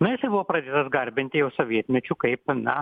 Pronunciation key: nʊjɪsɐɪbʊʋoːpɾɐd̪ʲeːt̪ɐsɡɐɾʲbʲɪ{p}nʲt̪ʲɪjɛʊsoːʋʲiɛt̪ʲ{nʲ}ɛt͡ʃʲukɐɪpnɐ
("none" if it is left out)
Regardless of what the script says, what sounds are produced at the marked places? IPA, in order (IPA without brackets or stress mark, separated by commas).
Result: none, mʲ